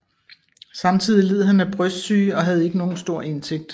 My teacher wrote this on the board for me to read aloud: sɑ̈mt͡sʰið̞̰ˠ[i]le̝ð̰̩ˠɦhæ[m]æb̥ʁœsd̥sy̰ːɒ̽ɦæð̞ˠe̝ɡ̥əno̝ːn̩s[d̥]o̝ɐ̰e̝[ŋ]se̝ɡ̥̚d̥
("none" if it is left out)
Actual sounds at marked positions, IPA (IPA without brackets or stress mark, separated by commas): i, n, d̥, n